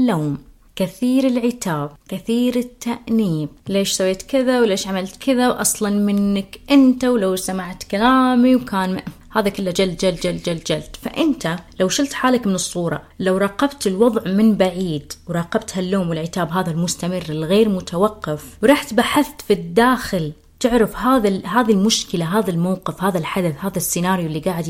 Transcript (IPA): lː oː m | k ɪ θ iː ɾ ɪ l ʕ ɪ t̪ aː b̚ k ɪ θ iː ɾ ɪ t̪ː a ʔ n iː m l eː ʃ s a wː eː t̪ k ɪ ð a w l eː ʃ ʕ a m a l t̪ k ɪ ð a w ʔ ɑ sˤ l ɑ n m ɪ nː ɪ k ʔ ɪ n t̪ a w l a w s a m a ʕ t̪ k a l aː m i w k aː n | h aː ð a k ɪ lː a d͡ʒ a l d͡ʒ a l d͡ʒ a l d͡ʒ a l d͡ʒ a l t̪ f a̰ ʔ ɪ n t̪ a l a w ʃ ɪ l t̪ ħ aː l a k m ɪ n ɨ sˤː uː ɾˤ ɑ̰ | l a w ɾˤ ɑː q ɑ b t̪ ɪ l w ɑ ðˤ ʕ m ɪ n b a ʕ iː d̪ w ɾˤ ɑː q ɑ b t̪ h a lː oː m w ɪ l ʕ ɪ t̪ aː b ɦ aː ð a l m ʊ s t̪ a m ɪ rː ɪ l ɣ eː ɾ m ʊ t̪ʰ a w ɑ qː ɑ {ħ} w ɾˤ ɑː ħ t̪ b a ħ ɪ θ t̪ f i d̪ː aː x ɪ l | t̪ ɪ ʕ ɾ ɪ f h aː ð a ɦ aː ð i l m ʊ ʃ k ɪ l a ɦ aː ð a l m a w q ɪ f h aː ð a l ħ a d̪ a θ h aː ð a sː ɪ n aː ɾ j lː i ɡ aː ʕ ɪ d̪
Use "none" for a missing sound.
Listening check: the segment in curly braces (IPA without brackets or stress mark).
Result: f